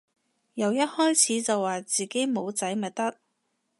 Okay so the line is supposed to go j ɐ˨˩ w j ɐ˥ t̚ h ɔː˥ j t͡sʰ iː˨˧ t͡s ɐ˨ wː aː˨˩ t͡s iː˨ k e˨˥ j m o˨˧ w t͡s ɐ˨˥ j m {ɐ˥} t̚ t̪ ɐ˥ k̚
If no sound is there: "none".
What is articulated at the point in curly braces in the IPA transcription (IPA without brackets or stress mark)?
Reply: ɐ˨˩